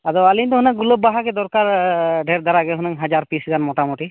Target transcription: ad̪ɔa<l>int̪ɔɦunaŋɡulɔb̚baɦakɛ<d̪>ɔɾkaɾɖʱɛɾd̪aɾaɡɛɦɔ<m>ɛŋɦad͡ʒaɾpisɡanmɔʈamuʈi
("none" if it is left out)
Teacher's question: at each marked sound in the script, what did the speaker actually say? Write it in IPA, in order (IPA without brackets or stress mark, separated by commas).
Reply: l, d̪, n